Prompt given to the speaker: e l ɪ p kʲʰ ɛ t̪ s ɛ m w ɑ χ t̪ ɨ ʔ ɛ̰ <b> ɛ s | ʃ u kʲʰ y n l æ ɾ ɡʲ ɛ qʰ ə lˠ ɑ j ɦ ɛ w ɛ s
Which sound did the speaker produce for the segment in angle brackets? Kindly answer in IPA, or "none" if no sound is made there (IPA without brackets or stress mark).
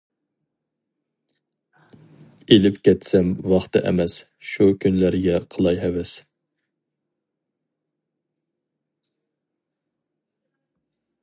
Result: m